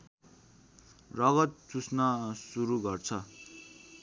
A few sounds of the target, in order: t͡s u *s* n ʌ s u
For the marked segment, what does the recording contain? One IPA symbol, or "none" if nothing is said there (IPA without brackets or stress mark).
s